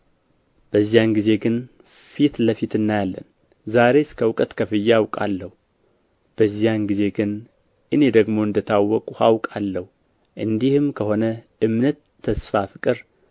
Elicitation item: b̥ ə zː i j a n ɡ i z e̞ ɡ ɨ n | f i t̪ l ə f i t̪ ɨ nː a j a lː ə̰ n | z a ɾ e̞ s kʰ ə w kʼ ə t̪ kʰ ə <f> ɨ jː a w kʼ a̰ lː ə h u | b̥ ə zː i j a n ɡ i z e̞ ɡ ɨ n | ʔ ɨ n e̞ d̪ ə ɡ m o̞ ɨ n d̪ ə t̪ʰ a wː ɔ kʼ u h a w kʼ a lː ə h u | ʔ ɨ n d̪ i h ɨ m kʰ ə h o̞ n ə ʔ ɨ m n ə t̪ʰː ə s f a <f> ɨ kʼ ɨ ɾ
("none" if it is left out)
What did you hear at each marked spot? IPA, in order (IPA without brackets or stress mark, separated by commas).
f, f